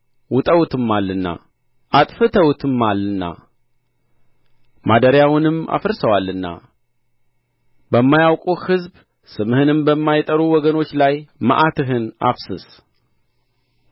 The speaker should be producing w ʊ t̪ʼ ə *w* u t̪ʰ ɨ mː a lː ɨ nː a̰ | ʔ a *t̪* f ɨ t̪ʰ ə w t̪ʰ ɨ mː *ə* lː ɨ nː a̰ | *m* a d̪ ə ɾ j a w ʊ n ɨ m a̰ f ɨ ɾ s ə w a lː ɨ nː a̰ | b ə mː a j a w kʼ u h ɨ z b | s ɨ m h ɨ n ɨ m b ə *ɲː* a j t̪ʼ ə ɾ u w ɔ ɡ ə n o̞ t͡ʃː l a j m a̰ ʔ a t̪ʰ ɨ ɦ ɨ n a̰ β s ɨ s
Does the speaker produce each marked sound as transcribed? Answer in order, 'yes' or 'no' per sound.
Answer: yes, no, no, yes, no

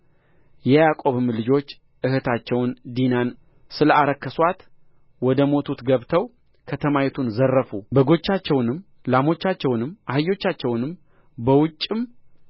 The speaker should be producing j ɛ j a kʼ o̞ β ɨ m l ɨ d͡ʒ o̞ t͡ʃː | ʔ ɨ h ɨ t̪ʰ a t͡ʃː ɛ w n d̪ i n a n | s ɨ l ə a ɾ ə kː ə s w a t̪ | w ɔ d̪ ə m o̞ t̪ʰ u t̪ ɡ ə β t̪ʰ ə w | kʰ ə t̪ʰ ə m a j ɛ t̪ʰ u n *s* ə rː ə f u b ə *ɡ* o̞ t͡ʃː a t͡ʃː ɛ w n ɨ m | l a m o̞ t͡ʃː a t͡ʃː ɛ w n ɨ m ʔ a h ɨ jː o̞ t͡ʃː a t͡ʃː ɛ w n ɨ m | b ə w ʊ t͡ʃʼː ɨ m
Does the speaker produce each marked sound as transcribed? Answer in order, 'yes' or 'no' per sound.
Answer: no, yes

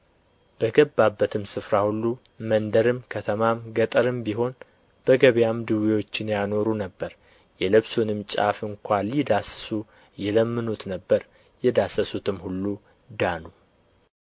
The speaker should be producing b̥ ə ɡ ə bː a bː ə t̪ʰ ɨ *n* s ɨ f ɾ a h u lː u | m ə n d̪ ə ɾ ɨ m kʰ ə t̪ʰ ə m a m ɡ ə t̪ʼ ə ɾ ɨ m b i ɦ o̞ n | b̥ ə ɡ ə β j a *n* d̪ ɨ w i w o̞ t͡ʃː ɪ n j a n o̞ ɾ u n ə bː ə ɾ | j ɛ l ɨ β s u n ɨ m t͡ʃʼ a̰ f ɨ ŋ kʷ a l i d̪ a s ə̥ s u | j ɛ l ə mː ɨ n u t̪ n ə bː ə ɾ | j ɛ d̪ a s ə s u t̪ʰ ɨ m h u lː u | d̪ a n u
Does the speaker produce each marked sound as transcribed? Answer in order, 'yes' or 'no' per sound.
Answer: no, no

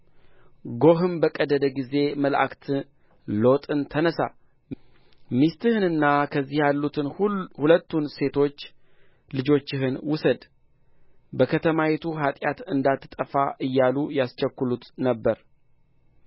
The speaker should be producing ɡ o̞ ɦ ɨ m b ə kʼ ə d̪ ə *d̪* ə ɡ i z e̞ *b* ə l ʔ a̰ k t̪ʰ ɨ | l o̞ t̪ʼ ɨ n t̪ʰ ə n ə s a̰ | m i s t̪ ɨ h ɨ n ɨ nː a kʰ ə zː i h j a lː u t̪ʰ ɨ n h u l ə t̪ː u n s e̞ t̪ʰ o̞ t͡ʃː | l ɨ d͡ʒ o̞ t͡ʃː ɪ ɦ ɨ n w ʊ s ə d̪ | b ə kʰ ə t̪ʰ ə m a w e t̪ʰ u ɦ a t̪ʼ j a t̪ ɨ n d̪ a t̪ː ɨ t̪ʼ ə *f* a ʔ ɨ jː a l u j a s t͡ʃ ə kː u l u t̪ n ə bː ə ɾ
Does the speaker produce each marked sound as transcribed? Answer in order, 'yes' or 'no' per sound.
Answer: yes, no, yes

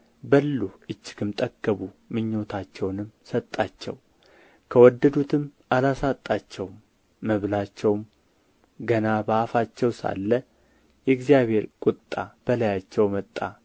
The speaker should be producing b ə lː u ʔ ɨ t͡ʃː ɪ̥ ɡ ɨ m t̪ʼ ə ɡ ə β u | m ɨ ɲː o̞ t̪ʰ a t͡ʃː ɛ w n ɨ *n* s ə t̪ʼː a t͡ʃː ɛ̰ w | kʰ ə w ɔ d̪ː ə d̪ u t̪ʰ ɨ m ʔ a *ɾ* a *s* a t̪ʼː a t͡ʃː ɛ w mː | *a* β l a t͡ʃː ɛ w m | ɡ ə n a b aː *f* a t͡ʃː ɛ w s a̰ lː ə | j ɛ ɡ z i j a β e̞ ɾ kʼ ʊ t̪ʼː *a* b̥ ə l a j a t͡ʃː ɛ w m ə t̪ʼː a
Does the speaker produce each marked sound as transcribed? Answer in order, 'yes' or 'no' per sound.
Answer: no, no, yes, no, yes, yes

